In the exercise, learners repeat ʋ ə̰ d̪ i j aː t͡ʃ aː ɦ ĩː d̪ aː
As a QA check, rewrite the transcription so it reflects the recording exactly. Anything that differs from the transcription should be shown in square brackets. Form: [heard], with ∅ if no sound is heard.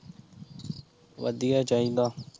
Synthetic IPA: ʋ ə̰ d̪ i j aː t͡ʃ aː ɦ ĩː d̪ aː